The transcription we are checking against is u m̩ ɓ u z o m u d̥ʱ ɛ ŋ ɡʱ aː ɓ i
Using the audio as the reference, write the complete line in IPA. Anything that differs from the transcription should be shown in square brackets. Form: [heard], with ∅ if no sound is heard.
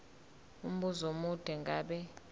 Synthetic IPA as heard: u m̩ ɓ u z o m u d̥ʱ ɛ ŋ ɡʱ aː ɓ [ɛ]

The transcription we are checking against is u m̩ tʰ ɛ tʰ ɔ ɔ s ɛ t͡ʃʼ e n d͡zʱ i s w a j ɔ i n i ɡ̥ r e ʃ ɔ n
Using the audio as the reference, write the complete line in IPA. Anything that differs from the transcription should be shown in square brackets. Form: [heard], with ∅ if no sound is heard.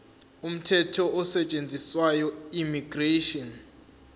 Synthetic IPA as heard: u m̩ tʰ ɛ tʰ ɔ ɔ s ɛ t͡ʃʼ e n d͡zʱ i s w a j ɔ i [m] i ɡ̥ r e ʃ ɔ n

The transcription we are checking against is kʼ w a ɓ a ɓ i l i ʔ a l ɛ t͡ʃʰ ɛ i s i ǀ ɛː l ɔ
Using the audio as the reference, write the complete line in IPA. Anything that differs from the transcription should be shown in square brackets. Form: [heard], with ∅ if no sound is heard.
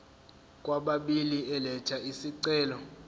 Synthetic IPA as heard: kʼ w a ɓ a ɓ i l i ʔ [ɛ] l ɛ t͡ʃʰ [a] i s i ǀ ɛː l ɔ

